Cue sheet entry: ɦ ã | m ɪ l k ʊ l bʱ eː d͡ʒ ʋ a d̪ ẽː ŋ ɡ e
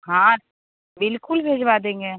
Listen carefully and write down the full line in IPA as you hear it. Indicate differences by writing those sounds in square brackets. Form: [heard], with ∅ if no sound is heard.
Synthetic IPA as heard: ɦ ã | [b] ɪ l k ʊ l bʱ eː d͡ʒ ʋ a d̪ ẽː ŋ ɡ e